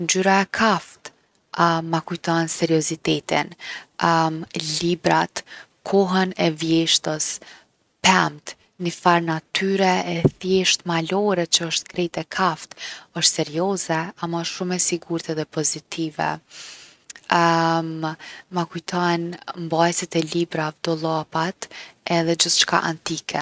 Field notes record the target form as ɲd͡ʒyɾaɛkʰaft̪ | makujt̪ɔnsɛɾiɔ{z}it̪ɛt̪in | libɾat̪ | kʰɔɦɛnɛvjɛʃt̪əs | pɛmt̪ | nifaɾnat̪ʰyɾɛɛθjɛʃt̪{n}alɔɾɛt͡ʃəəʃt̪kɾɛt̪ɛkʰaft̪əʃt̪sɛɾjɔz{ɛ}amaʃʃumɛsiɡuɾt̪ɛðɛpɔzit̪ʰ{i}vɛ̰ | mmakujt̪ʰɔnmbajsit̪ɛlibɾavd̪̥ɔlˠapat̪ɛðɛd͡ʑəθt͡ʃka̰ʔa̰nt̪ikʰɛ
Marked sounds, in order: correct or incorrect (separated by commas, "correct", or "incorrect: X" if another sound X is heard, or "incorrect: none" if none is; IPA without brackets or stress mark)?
correct, incorrect: m, correct, correct